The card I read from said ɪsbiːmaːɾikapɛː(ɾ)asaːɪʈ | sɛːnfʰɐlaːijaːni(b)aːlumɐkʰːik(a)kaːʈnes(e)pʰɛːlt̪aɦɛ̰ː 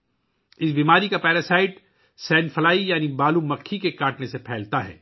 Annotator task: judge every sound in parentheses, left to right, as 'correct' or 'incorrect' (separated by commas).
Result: correct, correct, incorrect, correct